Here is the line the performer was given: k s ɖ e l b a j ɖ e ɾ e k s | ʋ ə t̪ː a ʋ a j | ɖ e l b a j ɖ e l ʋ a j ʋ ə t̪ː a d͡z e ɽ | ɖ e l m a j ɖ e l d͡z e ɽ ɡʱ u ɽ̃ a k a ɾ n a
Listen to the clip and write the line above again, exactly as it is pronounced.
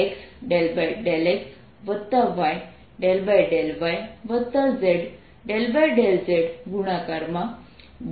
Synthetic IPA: k s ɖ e l b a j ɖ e l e k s | ʋ ə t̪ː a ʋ a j | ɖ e l b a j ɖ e l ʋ a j ʋ ə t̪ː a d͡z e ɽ | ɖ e l b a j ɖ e l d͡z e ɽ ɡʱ u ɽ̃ a k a ɾ m a